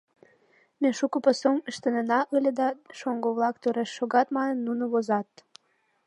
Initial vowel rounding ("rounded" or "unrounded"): unrounded